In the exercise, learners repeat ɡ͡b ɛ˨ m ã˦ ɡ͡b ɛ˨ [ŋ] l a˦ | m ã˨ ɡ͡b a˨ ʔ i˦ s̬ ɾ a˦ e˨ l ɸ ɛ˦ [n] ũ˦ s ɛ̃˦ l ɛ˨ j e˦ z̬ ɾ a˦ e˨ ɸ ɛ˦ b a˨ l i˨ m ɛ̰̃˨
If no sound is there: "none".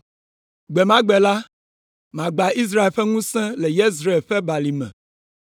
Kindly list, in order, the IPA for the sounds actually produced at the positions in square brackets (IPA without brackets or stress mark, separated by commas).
none, ŋ